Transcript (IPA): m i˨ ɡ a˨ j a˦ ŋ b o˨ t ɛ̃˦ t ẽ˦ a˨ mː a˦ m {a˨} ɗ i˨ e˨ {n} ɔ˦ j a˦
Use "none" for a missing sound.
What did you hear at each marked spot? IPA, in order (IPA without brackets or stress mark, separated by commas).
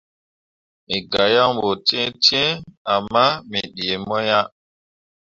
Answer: i˨, m